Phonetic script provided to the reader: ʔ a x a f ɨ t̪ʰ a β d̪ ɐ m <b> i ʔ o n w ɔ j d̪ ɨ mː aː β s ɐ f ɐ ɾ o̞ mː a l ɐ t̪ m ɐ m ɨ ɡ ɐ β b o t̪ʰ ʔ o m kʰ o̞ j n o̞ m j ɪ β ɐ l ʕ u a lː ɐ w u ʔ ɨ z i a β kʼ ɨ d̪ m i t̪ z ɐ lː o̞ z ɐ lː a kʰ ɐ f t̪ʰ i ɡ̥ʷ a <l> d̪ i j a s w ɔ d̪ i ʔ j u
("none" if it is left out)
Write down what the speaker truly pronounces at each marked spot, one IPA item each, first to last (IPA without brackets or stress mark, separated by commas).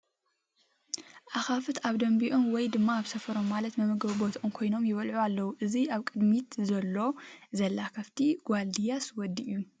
b, l